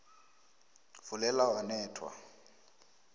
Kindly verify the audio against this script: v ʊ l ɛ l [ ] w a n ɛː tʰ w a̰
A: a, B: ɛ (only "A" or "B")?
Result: A